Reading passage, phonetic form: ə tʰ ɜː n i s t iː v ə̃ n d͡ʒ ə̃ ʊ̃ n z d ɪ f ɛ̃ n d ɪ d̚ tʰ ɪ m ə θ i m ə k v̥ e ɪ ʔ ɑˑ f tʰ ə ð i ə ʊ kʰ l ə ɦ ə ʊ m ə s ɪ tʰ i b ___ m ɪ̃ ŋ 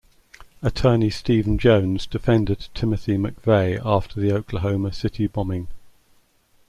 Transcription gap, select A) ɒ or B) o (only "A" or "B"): A